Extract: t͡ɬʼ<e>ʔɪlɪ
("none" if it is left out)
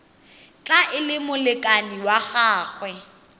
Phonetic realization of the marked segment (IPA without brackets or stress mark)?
a